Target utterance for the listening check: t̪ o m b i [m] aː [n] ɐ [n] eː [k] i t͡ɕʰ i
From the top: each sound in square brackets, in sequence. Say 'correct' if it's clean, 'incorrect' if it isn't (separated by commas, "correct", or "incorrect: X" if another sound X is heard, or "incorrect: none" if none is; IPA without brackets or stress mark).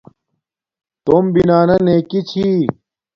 incorrect: n, correct, correct, correct